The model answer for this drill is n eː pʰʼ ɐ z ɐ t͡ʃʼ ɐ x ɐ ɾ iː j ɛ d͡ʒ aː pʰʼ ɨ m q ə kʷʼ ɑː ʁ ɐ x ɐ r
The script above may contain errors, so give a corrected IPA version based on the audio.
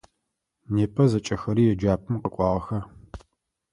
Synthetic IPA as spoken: n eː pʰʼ ɐ z ɐ t͡ʃʼ ɐ x ɐ ɾ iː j ɛ d͡ʒ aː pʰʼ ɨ m q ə kʷʼ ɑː ʁ ɐ x ɐ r